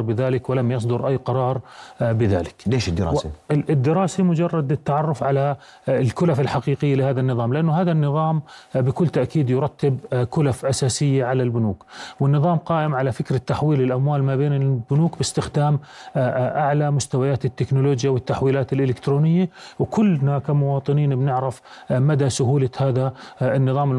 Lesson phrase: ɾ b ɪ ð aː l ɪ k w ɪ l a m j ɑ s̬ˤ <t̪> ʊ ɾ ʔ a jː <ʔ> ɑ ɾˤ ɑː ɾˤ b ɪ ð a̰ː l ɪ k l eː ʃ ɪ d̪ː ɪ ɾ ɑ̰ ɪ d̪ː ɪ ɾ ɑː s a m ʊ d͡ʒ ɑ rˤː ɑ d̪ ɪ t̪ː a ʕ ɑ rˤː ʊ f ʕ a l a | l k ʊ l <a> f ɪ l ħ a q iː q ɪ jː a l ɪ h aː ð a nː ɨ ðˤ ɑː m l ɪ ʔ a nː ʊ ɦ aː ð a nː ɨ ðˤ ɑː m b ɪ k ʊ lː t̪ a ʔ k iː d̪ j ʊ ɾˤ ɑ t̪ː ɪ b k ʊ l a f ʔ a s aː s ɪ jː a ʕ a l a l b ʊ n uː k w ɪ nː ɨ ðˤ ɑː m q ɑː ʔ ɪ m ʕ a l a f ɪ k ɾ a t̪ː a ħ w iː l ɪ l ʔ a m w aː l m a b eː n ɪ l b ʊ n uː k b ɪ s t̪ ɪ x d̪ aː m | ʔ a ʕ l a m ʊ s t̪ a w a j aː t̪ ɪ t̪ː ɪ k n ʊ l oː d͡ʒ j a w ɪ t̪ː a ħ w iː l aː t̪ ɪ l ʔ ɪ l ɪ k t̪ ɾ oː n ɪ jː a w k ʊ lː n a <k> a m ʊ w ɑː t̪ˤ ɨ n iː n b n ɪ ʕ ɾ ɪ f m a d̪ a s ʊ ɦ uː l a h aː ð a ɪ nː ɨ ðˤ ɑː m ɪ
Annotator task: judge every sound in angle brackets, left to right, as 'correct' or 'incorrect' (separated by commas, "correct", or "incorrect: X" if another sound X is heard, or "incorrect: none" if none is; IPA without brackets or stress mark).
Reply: incorrect: d̪, incorrect: q, correct, correct